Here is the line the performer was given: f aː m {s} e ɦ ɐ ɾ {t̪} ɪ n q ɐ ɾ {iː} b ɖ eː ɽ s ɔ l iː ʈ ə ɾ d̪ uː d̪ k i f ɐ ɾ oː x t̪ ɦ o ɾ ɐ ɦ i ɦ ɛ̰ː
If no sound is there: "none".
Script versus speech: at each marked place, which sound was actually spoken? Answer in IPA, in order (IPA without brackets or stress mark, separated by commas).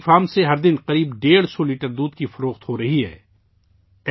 s, d̪, iː